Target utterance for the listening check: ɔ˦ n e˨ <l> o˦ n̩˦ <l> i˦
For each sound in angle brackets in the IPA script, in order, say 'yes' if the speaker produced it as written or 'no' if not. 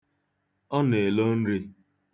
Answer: yes, no

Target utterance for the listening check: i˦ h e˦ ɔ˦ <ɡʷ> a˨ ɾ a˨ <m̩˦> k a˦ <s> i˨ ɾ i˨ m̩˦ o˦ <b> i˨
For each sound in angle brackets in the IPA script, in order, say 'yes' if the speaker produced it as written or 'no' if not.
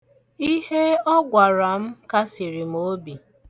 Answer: yes, yes, yes, yes

